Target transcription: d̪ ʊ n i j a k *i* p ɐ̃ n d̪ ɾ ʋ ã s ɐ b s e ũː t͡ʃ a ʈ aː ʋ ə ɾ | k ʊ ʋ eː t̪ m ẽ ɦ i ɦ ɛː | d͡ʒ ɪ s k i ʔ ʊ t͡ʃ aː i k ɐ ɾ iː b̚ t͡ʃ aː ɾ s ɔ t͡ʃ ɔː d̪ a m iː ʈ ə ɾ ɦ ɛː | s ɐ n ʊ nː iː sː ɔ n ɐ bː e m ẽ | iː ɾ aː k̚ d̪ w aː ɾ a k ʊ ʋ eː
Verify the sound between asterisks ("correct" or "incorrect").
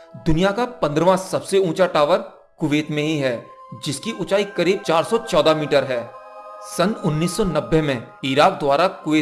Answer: incorrect